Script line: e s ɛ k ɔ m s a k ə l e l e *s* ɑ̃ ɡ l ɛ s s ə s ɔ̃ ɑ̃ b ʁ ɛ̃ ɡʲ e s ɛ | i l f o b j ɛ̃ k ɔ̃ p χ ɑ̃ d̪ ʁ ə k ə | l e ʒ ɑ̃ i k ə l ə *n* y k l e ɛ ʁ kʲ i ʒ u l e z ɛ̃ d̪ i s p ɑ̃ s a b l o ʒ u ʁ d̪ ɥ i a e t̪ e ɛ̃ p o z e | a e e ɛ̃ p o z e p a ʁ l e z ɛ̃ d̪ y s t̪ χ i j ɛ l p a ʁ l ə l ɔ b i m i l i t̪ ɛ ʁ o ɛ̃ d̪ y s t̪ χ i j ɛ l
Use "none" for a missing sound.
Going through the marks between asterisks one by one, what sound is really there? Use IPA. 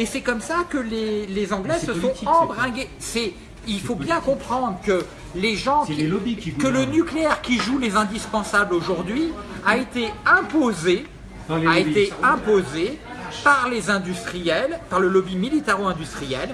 z, n

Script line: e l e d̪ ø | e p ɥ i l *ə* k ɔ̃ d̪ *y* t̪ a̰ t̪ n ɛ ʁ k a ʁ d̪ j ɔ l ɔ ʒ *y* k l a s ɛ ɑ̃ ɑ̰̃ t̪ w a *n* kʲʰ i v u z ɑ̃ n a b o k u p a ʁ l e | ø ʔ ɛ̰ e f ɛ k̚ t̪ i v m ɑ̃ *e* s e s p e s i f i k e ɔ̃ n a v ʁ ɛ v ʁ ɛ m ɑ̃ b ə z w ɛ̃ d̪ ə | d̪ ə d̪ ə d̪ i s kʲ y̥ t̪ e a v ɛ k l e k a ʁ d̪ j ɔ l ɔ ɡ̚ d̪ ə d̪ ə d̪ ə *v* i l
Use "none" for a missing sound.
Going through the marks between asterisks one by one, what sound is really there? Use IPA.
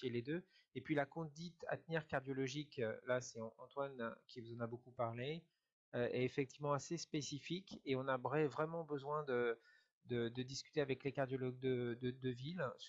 a, i, i, n, a, v

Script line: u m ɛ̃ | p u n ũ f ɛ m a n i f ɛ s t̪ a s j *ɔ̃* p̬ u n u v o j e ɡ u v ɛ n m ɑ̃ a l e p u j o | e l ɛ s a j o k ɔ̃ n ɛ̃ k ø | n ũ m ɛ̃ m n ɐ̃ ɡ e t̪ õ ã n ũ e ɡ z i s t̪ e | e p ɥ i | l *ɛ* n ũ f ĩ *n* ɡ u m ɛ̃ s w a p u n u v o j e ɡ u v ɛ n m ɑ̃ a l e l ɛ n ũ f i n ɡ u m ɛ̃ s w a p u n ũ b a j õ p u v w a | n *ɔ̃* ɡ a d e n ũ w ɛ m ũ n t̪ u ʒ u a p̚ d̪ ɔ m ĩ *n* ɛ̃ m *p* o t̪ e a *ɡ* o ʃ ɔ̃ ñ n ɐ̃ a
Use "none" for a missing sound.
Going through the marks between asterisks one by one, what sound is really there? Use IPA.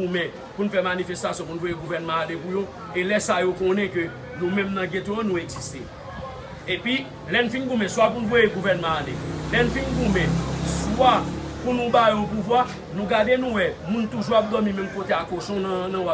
ɔ̃, ɛ, n, ũ, m, k, k

